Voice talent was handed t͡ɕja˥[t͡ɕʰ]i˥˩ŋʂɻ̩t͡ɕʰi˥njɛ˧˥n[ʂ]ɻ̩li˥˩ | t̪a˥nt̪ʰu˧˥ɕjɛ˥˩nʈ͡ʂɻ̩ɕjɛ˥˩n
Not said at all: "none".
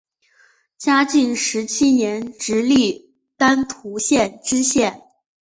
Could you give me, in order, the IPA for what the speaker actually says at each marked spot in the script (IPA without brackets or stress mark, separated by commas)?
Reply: t͡ɕ, ʈ͡ʂ